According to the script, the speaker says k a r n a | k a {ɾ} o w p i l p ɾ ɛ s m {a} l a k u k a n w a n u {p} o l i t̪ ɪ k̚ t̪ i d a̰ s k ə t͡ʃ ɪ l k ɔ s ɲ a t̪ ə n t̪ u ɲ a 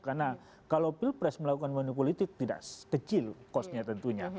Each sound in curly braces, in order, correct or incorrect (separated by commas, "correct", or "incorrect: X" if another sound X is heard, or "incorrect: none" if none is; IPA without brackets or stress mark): incorrect: l, incorrect: ə, correct